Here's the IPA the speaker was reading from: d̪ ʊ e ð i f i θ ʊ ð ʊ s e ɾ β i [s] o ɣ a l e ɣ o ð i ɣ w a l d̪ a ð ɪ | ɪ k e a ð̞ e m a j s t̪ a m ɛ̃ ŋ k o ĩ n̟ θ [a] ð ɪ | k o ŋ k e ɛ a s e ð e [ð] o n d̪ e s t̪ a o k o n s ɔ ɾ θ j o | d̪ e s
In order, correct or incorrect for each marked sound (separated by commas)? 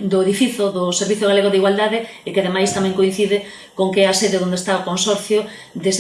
incorrect, incorrect, correct